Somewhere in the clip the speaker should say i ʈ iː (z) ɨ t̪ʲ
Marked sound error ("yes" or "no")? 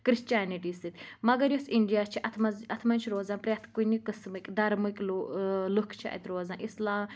yes